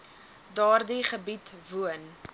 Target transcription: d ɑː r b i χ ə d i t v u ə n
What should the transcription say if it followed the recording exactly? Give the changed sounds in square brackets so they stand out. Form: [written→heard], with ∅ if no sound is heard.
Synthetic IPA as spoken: d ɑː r [b→d] i χ ə [d→b] i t v u ə n